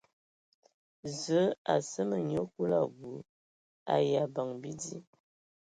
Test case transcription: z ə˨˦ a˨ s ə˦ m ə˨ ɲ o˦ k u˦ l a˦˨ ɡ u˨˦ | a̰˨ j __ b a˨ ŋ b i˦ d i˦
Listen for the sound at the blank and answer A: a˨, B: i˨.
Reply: A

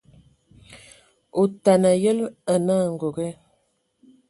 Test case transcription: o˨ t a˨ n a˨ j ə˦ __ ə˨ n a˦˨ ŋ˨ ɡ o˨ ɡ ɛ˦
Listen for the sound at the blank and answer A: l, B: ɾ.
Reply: A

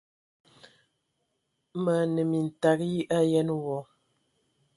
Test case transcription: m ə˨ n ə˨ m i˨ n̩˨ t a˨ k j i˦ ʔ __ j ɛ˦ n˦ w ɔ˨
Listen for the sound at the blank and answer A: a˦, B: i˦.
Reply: A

